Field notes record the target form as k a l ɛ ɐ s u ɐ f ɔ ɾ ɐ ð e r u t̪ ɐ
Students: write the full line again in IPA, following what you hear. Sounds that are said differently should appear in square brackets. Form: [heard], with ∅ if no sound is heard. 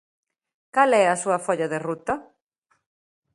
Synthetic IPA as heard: k a l ɛ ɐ s u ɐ f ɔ [ʎ] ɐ ð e r u t̪ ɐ